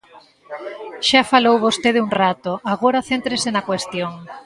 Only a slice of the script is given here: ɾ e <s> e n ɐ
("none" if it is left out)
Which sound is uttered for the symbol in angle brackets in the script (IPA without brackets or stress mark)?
s